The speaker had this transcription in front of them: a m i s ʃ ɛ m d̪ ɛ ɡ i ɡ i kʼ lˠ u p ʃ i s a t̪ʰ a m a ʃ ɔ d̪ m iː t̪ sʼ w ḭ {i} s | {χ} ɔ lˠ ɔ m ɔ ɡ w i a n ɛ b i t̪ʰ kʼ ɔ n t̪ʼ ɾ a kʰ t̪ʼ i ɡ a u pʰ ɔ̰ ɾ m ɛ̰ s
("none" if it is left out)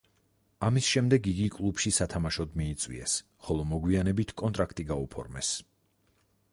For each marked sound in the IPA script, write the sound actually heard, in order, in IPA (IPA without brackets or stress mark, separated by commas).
ɛ, χ